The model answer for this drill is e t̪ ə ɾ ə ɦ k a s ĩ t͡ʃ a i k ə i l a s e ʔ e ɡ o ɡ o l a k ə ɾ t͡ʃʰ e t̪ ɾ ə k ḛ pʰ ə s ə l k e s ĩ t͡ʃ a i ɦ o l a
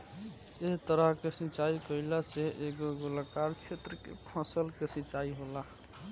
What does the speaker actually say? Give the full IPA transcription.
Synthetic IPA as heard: e t̪ ə ɾ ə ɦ k e s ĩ t͡ʃ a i k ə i l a s e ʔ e ɡ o ɡ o l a k a ɾ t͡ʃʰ e t̪ ɾ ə k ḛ pʰ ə s ə l k e s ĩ t͡ʃ a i ɦ o l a